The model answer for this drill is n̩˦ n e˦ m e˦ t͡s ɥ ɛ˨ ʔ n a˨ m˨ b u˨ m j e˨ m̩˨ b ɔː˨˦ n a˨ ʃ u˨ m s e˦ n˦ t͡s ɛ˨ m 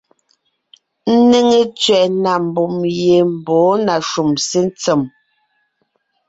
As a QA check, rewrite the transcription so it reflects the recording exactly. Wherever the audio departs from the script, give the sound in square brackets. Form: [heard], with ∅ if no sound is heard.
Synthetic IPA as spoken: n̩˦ n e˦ [ŋ] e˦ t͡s ɥ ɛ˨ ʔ n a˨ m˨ b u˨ m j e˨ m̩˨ b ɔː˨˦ n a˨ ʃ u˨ m s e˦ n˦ t͡s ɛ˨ m